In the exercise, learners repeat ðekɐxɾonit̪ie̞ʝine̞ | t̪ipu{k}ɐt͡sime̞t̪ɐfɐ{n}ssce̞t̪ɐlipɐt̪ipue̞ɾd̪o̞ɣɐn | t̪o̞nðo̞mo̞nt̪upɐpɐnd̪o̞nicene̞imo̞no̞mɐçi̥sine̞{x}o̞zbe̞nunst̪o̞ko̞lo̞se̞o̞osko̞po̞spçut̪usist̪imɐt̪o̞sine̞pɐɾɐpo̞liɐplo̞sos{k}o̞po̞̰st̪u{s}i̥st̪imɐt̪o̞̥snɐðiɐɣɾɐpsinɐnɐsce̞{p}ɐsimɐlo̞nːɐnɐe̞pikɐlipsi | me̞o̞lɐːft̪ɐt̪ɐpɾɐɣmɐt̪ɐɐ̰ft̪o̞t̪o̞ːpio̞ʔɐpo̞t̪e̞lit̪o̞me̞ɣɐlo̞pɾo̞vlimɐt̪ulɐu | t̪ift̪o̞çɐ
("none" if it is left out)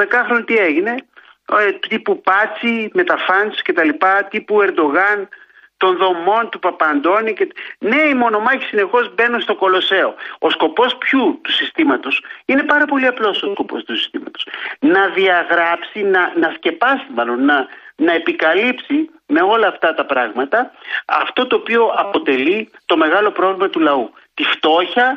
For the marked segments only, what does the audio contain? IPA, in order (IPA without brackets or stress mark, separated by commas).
p, n, x, k, s, p